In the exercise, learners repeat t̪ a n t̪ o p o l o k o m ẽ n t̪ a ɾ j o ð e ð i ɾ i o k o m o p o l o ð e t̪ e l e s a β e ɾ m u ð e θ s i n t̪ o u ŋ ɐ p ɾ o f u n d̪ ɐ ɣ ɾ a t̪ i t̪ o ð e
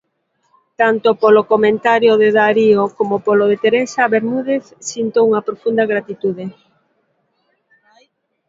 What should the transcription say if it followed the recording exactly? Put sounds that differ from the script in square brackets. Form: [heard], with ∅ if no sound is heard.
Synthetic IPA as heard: t̪ a n t̪ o p o l o k o m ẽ n t̪ a ɾ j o ð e ð [a] ɾ i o k o m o p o l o ð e t̪ e [ɾ] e s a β e ɾ m u ð e θ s i n t̪ o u ŋ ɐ p ɾ o f u n d̪ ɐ ɣ ɾ a t̪ i t̪ [u] ð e

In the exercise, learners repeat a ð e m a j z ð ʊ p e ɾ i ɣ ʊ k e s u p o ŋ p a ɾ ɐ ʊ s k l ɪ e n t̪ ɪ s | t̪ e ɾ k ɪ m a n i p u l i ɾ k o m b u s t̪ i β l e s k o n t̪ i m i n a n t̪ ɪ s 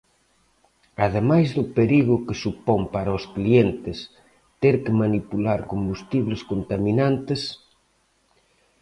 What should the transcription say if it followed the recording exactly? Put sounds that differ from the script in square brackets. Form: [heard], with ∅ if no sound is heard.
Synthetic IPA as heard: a ð e m a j z ð ʊ p e ɾ i ɣ ʊ k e s u p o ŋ p a ɾ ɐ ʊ s k l [i] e n t̪ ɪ s | t̪ e ɾ k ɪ m a n i p u l [a] ɾ k o m b u s t̪ i β l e s k o n t̪ [a] m i n a n t̪ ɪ s

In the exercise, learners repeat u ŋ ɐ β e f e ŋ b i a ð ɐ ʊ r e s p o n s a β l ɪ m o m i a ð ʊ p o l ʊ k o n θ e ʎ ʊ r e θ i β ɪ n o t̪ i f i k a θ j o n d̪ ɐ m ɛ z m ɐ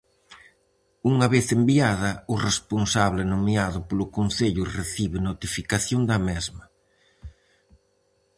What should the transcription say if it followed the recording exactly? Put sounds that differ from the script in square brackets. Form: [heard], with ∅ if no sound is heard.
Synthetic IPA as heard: u ŋ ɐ β e [θ] e [m] b i a ð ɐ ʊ r e s p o n s a β l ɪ [n] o m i a ð ʊ p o l ʊ k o n θ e ʎ ʊ r e θ i β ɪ n o t̪ i f i k a θ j o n d̪ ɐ m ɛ z m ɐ

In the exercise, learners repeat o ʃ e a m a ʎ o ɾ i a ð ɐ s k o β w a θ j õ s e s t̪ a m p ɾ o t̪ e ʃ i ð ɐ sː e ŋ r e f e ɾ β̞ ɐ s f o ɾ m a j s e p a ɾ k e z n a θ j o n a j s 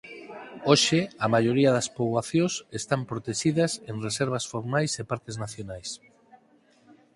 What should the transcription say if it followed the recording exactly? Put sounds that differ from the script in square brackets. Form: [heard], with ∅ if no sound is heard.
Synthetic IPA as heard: o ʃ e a m a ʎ o ɾ i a ð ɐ s [p] o β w a θ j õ s e s t̪ a m p ɾ o t̪ e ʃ i ð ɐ [s] e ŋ r e [s] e ɾ β̞ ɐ s f o ɾ m a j s e p a ɾ k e z n a θ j o n a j s

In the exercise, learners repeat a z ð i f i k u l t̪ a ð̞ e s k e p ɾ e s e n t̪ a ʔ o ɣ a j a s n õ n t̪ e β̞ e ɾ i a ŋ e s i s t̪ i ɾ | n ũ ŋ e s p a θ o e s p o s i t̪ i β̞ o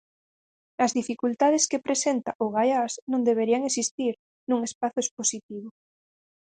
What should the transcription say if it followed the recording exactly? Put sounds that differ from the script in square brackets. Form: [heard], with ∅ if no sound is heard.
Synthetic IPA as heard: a z ð i f i k u l t̪ a ð̞ e s k e p ɾ e s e n t̪ a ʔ o ɣ a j a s n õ n [d̪] e β̞ e ɾ i a ŋ e s i s t̪ i ɾ | n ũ ŋ e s p a θ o e s p o s i t̪ i β̞ o

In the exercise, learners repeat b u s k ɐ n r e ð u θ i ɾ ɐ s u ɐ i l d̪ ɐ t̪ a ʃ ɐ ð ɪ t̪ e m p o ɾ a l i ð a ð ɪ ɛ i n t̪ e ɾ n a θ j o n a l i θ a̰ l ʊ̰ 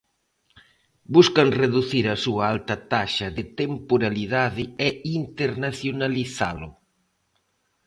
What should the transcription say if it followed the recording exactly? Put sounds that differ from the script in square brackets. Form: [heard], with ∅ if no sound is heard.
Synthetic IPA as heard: b u s k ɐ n r e ð u θ i ɾ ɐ s u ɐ [a] l [t̪] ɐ t̪ a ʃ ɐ ð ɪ t̪ e m p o ɾ a l i ð a ð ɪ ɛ i n t̪ e ɾ n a θ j o n a l i θ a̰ l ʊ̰

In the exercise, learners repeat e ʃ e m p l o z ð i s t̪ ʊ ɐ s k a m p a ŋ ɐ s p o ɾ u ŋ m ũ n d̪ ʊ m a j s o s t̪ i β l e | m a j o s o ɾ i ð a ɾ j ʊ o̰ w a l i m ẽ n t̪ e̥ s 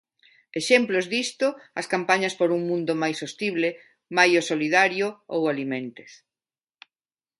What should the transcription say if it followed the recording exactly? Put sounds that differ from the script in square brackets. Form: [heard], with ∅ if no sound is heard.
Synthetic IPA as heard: e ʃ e m p l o z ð i s t̪ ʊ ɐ s k a m p a [ɲ] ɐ s p o ɾ u ŋ m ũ n d̪ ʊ m a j s o s t̪ i β l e | m a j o s o [l] i ð a ɾ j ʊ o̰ w a l i m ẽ n t̪ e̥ s

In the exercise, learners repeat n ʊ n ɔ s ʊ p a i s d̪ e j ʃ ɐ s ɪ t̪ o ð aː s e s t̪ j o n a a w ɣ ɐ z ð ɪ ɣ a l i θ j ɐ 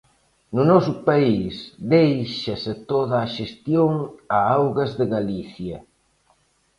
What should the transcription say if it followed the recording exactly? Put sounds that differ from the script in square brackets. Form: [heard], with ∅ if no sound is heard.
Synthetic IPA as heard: n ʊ n ɔ s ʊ p a i s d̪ e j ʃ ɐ s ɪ t̪ o ð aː [ʃ] e s t̪ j o [ŋ] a a w ɣ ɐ z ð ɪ ɣ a l i θ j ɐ

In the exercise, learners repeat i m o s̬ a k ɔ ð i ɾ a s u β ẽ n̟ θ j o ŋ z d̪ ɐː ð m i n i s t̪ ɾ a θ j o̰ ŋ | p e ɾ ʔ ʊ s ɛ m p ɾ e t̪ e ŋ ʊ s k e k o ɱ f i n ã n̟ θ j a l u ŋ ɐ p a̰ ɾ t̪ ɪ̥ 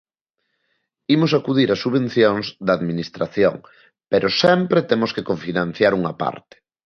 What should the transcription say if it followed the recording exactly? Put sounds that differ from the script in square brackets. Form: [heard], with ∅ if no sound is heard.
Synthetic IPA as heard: i m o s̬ a k [u] ð i ɾ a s u β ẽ n̟ θ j o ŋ z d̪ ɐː ð m i n i s t̪ ɾ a θ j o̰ ŋ | p e ɾ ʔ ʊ s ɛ m p ɾ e t̪ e [m] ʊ s k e k o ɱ f i n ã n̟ θ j a [ɾ] u ŋ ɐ p a̰ ɾ t̪ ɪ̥

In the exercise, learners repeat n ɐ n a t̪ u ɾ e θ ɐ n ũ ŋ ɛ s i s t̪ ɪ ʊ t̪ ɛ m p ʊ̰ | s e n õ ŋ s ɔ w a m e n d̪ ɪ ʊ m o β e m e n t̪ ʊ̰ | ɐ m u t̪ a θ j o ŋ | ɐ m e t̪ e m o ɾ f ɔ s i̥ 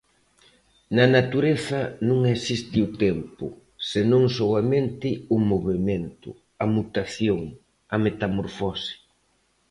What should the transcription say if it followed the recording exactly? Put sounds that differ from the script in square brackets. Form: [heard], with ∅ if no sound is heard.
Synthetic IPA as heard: n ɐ n a t̪ u ɾ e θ ɐ n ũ ŋ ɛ s i s t̪ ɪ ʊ t̪ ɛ m p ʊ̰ | s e n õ ŋ s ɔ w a m e n [t̪] ɪ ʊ m o β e m e n t̪ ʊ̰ | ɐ m u t̪ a θ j o ŋ | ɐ m e t̪ [a] m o ɾ f ɔ s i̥

